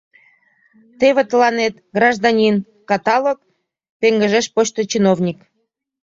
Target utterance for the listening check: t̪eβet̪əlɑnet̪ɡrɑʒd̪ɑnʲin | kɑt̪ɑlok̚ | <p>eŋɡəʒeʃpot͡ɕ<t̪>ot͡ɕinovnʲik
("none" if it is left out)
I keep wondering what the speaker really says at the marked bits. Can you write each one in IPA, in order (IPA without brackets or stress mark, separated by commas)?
p, t̪